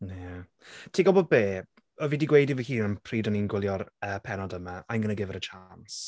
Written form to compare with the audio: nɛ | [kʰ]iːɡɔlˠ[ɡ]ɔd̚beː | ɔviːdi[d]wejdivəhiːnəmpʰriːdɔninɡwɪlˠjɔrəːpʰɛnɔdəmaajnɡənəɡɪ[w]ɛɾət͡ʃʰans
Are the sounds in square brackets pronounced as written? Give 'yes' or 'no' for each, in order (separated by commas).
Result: no, no, no, no